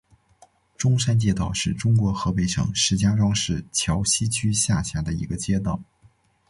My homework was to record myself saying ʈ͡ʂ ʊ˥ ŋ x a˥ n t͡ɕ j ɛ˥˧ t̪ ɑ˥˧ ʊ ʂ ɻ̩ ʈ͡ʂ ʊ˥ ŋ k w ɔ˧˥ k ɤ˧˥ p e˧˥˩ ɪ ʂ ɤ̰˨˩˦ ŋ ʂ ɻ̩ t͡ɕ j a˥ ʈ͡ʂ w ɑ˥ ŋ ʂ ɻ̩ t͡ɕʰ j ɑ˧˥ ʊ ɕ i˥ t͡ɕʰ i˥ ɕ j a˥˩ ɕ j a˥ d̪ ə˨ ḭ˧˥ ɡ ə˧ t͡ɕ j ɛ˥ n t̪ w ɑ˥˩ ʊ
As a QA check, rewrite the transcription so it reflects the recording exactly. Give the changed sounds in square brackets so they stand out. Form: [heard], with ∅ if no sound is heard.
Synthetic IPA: ʈ͡ʂ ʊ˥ ŋ [ʂ] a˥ n t͡ɕ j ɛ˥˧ t̪ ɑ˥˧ ʊ ʂ ɻ̩ ʈ͡ʂ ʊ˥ ŋ k w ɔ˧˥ [x] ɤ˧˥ p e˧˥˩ ɪ ʂ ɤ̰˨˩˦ ŋ ʂ ɻ̩ t͡ɕ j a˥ ʈ͡ʂ w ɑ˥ ŋ ʂ ɻ̩ t͡ɕʰ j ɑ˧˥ ʊ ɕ i˥ t͡ɕʰ [y˥] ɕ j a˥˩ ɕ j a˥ d̪ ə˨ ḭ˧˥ ɡ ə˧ t͡ɕ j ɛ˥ [∅] t̪ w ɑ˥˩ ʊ